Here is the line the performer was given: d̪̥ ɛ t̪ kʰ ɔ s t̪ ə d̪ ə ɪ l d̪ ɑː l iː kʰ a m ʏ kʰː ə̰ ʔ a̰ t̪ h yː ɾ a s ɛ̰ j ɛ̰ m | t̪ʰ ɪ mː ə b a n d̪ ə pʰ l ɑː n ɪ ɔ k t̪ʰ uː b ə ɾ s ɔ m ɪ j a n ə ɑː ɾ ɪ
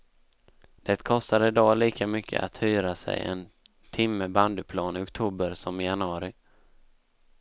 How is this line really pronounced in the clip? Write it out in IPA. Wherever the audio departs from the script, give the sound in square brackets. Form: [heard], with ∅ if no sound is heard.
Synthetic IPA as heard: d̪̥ ɛ t̪ kʰ ɔ s t̪ [a] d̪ ə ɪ [∅] d̪ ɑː l iː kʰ a m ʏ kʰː ə̰ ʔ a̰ t̪ h yː ɾ a s ɛ̰ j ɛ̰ [n] | t̪ʰ ɪ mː ə b a n d̪ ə pʰ l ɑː n ɪ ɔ k t̪ʰ uː b ə ɾ s ɔ m ɪ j a n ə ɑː ɾ ɪ

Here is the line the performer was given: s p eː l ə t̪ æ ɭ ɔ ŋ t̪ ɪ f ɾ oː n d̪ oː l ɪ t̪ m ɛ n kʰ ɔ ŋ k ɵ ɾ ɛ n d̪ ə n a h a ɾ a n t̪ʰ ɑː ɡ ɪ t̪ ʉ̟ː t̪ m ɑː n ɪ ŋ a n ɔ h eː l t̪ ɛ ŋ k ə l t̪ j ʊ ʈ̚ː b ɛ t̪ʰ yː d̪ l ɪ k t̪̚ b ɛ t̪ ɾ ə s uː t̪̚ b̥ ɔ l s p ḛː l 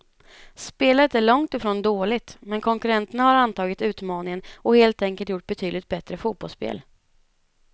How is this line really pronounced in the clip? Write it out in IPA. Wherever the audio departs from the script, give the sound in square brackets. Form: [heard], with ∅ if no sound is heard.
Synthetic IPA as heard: s p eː l ə t̪ æ ɭ ɔ ŋ t̪ ɪ f ɾ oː n d̪ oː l ɪ t̪ m ɛ n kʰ ɔ ŋ k ɵ ɾ ɛ n [t̪] ə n a h a ɾ a n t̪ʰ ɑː ɡ ɪ t̪ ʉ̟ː t̪ m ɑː n ɪ ŋ [ə] n ɔ h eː l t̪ ɛ ŋ k ə l t̪ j ʊ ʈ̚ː b ɛ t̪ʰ yː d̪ l ɪ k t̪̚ b ɛ t̪ ɾ ə [f] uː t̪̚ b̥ ɔ l s p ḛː l

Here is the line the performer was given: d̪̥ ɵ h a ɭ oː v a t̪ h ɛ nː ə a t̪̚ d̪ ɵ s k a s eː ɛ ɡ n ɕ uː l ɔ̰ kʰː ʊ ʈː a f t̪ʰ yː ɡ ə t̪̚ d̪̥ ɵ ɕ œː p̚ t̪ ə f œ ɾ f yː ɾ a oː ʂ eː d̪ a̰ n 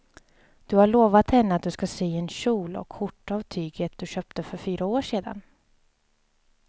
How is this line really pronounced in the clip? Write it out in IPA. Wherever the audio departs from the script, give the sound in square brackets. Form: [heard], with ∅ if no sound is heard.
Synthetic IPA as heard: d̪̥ ɵ h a ɭ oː v a t̪ h ɛ nː ə a t̪̚ d̪ ɵ s k a s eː ɛ [∅] n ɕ uː l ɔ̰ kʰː ʊ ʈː a [v] t̪ʰ yː ɡ ə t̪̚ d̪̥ ɵ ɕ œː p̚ t̪ ə f œ ɾ f yː ɾ a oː ʂ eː d̪ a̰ n

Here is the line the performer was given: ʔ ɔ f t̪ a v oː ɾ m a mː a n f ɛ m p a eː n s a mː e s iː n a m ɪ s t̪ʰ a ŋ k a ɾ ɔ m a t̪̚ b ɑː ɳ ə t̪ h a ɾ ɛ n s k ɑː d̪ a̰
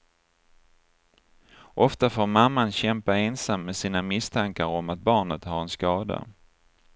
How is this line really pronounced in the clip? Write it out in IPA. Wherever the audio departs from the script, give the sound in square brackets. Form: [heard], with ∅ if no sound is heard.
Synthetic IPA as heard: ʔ ɔ f t̪ a [f] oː ɾ m a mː a n [ɕ] ɛ m p a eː n s a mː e s iː n a m ɪ s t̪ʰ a ŋ k a ɾ ɔ m a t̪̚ b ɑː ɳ ə t̪ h a ɾ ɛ n s k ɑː d̪ a̰

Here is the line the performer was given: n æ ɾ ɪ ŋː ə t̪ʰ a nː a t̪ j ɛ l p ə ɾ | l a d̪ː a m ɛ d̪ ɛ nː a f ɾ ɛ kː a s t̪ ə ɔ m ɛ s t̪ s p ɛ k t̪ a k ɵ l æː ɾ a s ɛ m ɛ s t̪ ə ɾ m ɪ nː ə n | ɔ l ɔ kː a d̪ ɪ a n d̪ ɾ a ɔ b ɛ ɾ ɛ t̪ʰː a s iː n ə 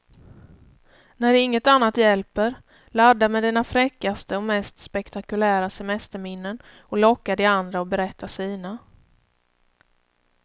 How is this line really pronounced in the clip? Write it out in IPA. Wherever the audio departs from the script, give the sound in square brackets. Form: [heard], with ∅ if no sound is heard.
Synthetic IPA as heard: n æ ɾ ɪ ŋː ə [t̪] a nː a t̪ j ɛ l p ə ɾ | l a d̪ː a m ɛ d̪ ɛ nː a f ɾ ɛ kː a s t̪ ə ɔ m ɛ s t̪ s p ɛ k t̪ a k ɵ l æː ɾ a s ɛ m ɛ s t̪ ə ɾ m ɪ nː ə n | ɔ l ɔ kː a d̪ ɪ a n d̪ ɾ a ɔ b ɛ ɾ ɛ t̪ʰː a s iː n [a]

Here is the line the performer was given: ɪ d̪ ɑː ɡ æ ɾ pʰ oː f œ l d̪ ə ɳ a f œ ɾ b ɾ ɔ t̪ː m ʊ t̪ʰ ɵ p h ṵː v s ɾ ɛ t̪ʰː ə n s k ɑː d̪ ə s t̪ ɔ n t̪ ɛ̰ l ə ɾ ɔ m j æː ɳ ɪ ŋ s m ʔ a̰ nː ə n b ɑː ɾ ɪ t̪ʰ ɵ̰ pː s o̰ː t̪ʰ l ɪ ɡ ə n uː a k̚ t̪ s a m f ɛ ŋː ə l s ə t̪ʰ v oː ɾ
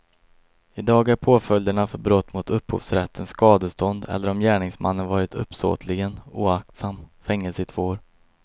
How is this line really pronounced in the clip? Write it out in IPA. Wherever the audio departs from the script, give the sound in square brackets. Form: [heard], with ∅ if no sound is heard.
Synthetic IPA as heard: ɪ d̪ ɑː ɡ æ ɾ pʰ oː f œ l d̪ ə ɳ a f œ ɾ b ɾ ɔ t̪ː m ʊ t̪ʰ ɵ p h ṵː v s ɾ ɛ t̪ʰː ə n s k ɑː d̪ ə s t̪ ɔ n [d̪] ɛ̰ [lː] ə ɾ ɔ m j æː ɳ ɪ ŋ s m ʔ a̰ nː ə n [v] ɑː ɾ ɪ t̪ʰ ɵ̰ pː s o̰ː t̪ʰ l ɪ ɡ ə n uː a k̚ t̪ s a m f ɛ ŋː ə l s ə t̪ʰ v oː ɾ

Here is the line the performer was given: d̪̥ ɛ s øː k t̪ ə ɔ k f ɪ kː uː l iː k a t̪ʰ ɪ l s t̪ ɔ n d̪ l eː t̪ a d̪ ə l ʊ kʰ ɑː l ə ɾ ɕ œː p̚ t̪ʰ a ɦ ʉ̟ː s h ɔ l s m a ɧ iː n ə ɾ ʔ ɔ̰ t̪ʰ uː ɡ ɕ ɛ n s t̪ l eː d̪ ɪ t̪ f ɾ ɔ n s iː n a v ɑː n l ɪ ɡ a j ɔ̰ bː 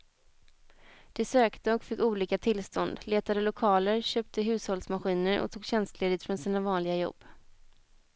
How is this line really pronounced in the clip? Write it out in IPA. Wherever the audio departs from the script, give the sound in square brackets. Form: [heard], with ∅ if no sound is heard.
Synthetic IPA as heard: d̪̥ ɛ s øː k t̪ ə ɔ k f ɪ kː uː l iː k a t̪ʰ ɪ l s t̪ ɔ n d̪ l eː t̪ a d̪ ə l ʊ kʰ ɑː l ə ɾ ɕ [øː] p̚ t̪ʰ [ə] ɦ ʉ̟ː s h ɔ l s m a ɧ iː n ə ɾ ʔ ɔ̰ t̪ʰ uː ɡ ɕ ɛ n s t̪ l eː d̪ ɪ t̪ f ɾ ɔ n s iː n a v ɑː n l ɪ ɡ a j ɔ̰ bː

